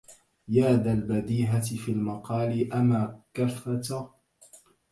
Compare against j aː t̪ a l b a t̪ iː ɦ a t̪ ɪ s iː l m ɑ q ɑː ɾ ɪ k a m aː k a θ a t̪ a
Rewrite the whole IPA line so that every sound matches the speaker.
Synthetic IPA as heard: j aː d̪ a l b a d̪ iː ɦ a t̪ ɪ f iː l m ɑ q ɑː l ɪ ʔ a m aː k a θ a t̪ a